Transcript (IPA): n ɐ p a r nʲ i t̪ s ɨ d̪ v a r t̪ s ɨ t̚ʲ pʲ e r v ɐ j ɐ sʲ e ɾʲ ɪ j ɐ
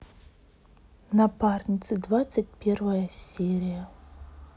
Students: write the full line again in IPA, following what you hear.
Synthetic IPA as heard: n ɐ p a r nʲ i t̪ s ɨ d̪ v a t̪ s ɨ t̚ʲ pʲ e r v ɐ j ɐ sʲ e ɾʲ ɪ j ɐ

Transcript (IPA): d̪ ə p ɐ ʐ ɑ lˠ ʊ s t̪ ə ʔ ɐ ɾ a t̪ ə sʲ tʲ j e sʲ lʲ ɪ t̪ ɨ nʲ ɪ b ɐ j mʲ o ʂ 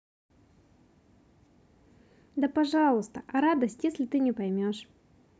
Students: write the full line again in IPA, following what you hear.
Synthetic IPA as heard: d̪ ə p ɐ ʐ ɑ lˠ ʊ s t̪ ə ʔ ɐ ɾ a d̪ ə sʲ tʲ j e sʲ lʲ ɪ t̪ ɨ nʲ ɪ p ɐ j mʲ o ʂ

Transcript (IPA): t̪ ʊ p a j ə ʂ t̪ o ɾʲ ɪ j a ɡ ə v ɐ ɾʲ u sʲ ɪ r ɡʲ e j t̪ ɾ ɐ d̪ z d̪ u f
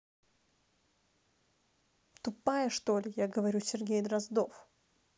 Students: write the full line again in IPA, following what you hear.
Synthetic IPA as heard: t̪ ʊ p a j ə ʂ t̪ o lʲ ɪ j a ɡ ə v ɐ ɾʲ u sʲ ɪ r ɡʲ e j d̪ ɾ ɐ z d̪ o f

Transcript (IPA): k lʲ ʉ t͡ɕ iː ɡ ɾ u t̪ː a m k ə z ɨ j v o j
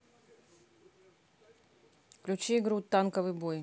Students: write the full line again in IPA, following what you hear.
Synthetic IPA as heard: k lʲ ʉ t͡ɕ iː ɡ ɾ u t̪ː a n k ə v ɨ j b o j

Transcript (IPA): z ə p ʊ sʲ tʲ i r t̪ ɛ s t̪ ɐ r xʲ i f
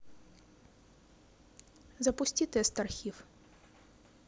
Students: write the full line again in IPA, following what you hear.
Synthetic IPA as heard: z ɐ p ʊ sʲ tʲ i t̪ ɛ s t̪ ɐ r xʲ i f

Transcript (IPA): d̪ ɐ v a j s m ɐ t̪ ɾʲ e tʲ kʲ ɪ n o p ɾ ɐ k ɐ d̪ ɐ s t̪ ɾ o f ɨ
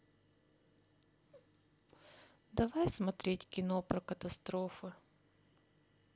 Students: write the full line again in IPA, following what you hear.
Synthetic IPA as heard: d̪ ɐ v a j s m ɐ t̪ ɾʲ e tʲ kʲ ɪ n o p ɾ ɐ k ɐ t̪ ɐ s t̪ ɾ o f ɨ

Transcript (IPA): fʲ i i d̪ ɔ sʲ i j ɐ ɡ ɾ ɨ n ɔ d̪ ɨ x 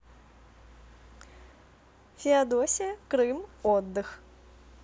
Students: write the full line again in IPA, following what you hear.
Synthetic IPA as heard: fʲ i a d̪ ɔ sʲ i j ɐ k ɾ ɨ m ɔ d̪ː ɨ x

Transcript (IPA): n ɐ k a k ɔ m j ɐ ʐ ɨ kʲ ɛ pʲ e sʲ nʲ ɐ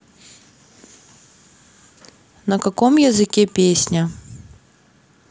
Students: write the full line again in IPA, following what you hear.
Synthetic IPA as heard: n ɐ k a k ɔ m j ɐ z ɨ kʲ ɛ pʲ e sʲ nʲ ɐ

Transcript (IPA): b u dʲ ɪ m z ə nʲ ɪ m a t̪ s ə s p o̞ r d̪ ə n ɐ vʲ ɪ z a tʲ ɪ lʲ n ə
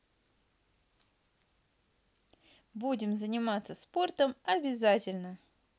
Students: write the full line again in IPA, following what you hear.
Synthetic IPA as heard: b u dʲ ɪ m z ə nʲ ɪ m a t̪ s ə s p o̞ r t̪ ə m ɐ bʲ ɪ z a tʲ ɪ lʲ n ə

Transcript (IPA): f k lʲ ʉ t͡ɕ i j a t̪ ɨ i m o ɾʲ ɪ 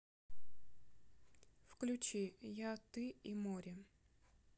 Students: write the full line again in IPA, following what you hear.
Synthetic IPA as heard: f k lʲ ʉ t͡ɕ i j a t̪ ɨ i m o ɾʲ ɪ

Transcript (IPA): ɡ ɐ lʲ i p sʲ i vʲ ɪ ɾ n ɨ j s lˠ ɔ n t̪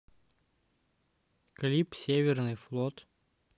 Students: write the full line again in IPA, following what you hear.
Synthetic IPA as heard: k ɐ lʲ i p sʲ e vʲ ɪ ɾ n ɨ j f lˠ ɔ t̪

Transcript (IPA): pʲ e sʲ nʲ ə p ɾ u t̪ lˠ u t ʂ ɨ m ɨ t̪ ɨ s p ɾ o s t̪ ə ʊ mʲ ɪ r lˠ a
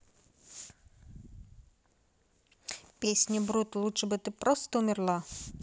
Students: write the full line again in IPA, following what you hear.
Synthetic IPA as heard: pʲ e sʲ nʲ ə b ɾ u t̪ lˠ u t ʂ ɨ b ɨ t̪ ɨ p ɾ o s t̪ ə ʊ mʲ ɪ r lˠ a

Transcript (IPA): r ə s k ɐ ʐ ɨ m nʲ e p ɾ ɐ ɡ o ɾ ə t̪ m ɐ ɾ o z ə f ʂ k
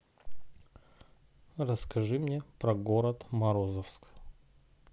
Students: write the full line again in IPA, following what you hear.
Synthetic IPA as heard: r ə s k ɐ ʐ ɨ m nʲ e p ɾ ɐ ɡ o ɾ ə t̪ m ɐ ɾ o z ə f s k

